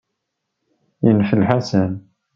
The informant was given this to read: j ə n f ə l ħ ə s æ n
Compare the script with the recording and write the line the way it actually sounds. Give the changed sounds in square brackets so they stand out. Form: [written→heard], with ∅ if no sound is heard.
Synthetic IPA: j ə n f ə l ħ [ə→a] s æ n